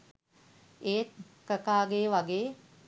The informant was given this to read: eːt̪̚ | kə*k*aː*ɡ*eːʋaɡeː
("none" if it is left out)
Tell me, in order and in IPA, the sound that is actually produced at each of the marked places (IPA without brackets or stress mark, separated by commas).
k, ɡ